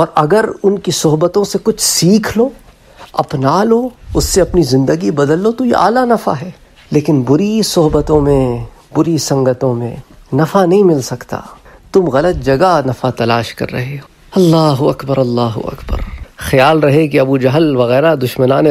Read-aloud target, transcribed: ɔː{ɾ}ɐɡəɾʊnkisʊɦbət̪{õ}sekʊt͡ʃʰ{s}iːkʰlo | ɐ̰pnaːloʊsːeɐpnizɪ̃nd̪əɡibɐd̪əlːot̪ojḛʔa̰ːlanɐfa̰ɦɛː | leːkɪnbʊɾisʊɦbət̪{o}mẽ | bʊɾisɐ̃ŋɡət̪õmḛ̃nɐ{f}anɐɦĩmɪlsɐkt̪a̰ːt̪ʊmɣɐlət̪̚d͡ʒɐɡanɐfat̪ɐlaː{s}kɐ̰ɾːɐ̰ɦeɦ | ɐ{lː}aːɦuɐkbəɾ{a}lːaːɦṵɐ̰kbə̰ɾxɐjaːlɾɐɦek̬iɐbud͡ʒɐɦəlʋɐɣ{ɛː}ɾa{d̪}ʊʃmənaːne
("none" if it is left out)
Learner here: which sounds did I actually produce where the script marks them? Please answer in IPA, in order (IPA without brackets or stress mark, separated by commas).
ɾ, õ, s, õ, f, ʃ, lː, ɐ, ɛː, d̪